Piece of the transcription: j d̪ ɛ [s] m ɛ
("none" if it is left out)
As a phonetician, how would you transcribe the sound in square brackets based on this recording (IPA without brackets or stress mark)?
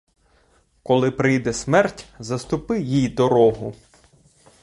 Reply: s